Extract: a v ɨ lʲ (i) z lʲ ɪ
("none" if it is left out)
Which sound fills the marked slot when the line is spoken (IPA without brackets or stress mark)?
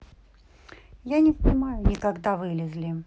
ɪ